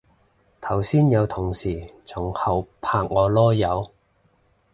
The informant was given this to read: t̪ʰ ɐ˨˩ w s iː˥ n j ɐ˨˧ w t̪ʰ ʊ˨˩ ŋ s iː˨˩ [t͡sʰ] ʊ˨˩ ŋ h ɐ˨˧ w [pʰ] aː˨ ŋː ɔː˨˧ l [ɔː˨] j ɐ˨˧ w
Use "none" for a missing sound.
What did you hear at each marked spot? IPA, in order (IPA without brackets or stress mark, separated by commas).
t͡sʰ, pʰ, ɔː˥